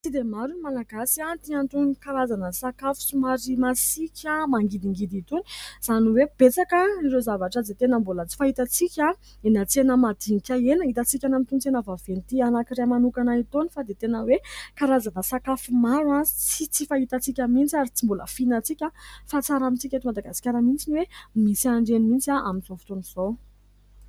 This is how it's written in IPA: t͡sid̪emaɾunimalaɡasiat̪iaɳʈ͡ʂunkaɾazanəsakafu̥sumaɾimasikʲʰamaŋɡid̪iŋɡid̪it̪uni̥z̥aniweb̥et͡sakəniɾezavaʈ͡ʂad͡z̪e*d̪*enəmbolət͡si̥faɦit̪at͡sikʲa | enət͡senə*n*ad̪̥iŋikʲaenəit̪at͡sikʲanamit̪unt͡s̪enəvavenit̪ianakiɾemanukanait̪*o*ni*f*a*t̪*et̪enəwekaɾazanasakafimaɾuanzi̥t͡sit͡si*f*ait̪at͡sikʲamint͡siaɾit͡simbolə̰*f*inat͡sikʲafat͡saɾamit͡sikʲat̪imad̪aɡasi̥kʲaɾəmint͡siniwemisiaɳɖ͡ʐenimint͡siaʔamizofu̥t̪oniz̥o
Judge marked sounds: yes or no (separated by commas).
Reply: no, no, yes, yes, no, yes, yes